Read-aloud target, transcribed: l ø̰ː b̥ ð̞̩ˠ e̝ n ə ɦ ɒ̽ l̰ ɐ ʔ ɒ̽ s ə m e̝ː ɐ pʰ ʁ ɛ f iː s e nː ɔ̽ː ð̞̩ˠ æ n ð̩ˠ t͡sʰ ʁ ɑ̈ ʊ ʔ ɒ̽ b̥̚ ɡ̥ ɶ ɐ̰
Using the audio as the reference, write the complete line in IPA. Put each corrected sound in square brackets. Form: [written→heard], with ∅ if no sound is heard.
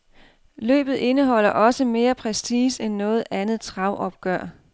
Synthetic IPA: l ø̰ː b̥ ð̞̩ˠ e̝ n ə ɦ ɒ̽ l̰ ɐ ʔ ɒ̽ s ə m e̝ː ɐ pʰ ʁ ɛ [f→s] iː s e nː ɔ̽ː ð̞̩ˠ æ n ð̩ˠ t͡sʰ ʁ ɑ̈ ʊ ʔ ɒ̽ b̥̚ ɡ̥ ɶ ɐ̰